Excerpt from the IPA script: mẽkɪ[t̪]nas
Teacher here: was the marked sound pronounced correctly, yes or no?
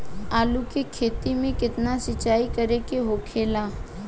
yes